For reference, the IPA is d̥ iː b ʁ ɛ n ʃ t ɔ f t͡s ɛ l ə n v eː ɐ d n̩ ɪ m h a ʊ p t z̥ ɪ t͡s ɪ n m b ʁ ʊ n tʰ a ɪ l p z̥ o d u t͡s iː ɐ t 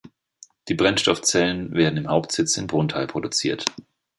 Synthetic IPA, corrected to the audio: d̥ iː b ʁ ɛ n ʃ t ɔ f t͡s ɛ l ə n v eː ɐ d n̩ ɪ m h a ʊ p t z̥ ɪ t͡s ɪ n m b ʁ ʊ n tʰ a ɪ l p ʁ̥ o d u t͡s iː ɐ t